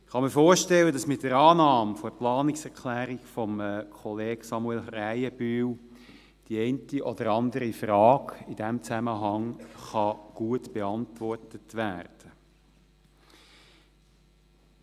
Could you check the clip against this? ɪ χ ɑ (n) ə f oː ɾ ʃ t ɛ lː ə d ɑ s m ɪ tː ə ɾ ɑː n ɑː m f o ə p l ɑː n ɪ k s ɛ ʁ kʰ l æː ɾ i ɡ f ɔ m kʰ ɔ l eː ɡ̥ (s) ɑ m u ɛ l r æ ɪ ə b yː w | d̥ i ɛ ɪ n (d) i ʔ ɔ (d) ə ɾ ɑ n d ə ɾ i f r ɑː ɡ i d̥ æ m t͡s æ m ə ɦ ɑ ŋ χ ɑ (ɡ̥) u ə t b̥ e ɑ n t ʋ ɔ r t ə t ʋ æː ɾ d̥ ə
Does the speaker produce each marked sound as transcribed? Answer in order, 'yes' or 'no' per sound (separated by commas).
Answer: no, yes, no, yes, yes